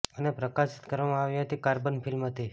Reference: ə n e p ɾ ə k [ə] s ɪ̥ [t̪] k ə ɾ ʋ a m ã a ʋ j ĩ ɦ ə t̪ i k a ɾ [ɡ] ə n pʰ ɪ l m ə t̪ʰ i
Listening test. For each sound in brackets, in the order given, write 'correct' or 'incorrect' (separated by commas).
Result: incorrect, correct, incorrect